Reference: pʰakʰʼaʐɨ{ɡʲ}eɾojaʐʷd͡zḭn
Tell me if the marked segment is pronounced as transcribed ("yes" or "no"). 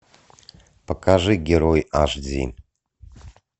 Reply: yes